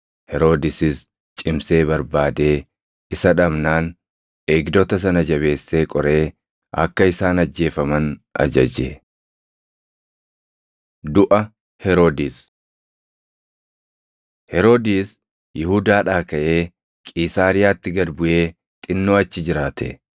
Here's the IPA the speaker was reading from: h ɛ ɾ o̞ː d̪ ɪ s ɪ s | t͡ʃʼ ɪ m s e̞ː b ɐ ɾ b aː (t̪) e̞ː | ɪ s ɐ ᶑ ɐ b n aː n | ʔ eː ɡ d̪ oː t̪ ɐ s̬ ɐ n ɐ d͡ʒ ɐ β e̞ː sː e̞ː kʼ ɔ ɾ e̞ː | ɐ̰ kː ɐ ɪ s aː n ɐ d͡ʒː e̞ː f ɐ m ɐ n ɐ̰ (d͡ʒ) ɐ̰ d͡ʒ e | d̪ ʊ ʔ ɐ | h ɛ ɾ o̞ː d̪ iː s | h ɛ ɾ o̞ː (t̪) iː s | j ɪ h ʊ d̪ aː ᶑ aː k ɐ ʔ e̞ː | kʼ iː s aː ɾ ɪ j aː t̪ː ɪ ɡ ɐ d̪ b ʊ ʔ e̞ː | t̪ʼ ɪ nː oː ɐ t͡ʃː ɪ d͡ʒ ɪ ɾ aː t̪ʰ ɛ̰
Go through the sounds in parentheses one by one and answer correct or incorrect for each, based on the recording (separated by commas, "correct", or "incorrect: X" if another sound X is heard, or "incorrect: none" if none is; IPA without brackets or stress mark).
incorrect: d̪, correct, incorrect: d̪